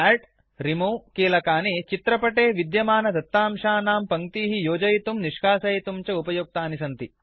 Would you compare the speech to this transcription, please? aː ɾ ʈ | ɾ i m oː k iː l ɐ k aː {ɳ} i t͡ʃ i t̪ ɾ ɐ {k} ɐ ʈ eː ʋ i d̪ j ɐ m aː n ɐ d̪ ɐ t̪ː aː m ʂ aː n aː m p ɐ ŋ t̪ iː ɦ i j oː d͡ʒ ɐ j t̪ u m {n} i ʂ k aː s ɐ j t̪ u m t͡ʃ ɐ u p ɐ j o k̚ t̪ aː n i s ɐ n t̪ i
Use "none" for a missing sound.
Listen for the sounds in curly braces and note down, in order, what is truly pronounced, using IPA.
n, p, n

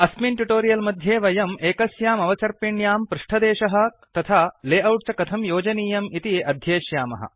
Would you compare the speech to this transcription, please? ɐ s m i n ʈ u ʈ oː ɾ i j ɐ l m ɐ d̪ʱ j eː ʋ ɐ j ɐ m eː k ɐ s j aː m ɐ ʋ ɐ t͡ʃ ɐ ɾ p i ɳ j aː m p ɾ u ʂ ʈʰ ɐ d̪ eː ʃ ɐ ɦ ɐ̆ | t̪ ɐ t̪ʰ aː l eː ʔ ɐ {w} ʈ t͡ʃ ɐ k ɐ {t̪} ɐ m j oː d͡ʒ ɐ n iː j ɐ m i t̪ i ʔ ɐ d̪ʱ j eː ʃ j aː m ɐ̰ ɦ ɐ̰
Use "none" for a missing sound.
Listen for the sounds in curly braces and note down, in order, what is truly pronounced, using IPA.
w, t̪ʰ

